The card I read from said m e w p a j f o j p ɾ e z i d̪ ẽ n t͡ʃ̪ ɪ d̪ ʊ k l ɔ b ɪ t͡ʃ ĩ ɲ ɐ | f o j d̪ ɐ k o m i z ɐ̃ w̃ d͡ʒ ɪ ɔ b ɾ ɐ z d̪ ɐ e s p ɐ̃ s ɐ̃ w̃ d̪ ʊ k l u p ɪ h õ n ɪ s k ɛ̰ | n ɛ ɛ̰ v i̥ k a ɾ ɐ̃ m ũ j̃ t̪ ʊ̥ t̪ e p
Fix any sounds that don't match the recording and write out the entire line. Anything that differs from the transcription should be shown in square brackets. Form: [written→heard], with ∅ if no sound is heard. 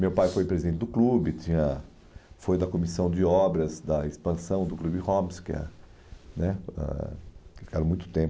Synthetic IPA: m e w p a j f o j p ɾ e z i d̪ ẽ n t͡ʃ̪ ɪ d̪ ʊ k l [ɔ→u] b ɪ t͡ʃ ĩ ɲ ɐ | f o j d̪ ɐ k o m i [z→s] ɐ̃ w̃ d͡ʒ ɪ ɔ b ɾ ɐ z d̪ ɐ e s p ɐ̃ s ɐ̃ w̃ d̪ ʊ k l u [p→b] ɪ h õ [n→m] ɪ s k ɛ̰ | n ɛ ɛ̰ [v→f] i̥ k a ɾ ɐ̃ m ũ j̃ t̪ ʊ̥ t̪ [e→ẽ] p